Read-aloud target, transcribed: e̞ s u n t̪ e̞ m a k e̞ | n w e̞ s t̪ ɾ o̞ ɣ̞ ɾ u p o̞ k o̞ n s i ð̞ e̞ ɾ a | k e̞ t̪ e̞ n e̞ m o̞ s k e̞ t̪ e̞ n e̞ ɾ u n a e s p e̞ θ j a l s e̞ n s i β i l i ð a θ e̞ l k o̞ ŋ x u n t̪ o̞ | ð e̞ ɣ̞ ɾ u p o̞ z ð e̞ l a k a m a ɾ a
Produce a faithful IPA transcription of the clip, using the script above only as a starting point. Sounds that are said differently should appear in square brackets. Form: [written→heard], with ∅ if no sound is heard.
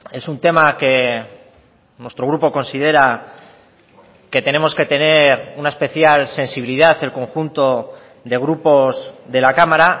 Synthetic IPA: e̞ s u n t̪ e̞ m a k e̞ | n w e̞ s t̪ ɾ o̞ ɣ̞ ɾ u p o̞ k o̞ n s i ð̞ e̞ ɾ a | k e̞ t̪ e̞ n e̞ m o̞ s k e̞ t̪ e̞ n e̞ ɾ u n a e s p e̞ θ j a l s e̞ n s i β i l i ð a θ e̞ l k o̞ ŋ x u n t̪ o̞ | ð e̞ ɣ̞ ɾ u p o̞ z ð e̞ l a k a m a ɾ a